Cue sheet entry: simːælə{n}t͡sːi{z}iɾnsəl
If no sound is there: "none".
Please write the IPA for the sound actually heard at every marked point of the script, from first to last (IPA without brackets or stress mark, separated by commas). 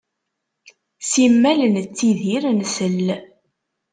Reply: n, ð